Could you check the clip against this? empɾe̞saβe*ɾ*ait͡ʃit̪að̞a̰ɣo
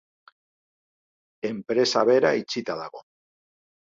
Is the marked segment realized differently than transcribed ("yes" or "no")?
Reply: no